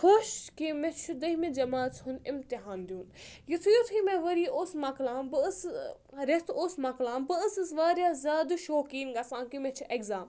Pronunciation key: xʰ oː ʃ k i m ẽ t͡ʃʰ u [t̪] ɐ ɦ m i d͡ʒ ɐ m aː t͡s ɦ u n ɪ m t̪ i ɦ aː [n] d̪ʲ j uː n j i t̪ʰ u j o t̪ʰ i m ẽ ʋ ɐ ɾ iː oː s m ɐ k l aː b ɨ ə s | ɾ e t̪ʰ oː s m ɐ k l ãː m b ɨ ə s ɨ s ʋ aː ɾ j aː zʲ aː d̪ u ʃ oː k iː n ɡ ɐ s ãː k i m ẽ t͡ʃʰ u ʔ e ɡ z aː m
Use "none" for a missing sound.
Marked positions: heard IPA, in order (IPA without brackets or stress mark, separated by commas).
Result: d̪, n